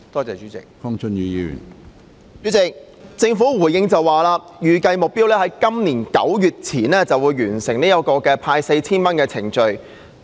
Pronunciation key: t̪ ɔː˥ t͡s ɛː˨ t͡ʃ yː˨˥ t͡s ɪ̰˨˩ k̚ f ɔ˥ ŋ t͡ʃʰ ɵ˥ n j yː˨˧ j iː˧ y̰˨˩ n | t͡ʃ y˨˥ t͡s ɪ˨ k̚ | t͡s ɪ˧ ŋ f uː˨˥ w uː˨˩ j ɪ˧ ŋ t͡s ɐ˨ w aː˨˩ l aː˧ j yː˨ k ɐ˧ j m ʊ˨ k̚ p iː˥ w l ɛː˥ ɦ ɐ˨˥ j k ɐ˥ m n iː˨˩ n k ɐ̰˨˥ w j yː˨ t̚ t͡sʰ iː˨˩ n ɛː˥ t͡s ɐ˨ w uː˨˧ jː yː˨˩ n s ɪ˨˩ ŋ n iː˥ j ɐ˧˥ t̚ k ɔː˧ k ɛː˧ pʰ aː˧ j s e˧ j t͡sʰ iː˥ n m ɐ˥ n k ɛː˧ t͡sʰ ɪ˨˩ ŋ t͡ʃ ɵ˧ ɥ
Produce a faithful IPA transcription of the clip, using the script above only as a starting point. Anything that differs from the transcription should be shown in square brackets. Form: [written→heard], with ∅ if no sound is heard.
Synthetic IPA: t̪ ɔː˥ t͡s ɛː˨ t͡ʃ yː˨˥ t͡s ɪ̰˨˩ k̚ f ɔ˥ ŋ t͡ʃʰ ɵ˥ n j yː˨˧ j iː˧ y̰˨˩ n | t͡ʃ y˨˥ t͡s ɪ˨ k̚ | t͡s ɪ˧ ŋ f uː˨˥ w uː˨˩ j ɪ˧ ŋ t͡s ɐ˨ w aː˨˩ l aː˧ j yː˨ k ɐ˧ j m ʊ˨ k̚ p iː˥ w l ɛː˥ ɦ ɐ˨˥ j k ɐ˥ m n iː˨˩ n k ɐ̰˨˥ w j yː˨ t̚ t͡sʰ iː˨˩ n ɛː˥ t͡s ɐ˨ w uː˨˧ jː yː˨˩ n s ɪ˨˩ ŋ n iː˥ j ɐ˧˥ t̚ k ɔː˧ k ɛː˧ pʰ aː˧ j s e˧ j t͡sʰ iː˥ n m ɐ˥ n k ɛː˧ t͡sʰ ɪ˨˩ ŋ t͡ʃ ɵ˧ ɥ